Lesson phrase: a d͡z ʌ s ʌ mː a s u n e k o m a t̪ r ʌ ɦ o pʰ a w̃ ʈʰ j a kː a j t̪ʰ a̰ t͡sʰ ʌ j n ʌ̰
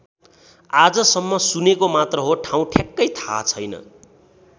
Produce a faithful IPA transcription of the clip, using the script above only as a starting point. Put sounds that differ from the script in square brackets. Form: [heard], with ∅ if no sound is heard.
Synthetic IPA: a d͡z ʌ s ʌ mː [ʌ] s u n e k o m a t̪ r ʌ ɦ o [ʈʰ] a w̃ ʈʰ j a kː [ʌ] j t̪ʰ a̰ t͡sʰ ʌ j n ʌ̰